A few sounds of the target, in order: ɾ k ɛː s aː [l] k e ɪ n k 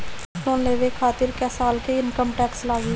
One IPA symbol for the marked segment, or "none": l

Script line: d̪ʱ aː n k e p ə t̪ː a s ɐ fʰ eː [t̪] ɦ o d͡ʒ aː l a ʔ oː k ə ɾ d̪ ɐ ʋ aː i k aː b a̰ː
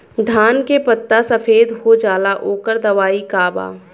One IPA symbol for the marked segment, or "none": d̪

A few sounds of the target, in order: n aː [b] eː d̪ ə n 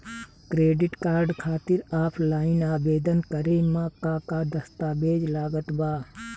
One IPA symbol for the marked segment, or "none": b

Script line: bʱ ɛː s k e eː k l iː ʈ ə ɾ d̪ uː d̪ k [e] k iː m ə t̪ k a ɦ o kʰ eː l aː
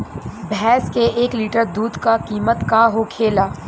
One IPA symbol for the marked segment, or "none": a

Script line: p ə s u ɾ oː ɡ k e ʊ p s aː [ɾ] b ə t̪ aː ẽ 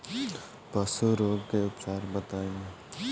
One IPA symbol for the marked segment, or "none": ɾ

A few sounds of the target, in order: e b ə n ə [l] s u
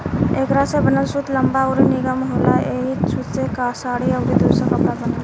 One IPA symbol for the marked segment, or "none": l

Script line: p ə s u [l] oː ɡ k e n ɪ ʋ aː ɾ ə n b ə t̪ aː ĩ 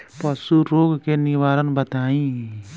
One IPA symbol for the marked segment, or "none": ɾ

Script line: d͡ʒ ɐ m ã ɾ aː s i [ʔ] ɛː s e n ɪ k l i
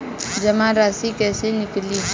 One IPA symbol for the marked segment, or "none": k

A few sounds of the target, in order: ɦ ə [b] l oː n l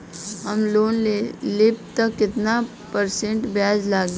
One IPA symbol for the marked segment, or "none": m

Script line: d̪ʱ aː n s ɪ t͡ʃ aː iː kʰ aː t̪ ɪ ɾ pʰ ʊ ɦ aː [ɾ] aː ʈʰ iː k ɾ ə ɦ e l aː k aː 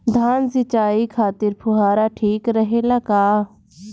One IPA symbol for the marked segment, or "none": ɾ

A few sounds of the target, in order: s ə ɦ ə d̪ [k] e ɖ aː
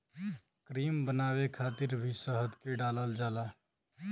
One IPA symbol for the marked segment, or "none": k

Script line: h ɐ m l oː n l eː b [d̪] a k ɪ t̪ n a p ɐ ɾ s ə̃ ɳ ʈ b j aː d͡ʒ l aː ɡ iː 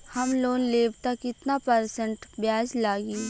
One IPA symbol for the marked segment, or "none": t̪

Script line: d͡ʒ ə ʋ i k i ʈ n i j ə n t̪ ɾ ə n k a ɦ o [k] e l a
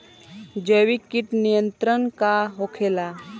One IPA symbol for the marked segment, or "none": kʰ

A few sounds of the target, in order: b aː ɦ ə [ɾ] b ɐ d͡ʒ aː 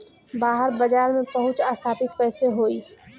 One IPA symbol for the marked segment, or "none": ɾ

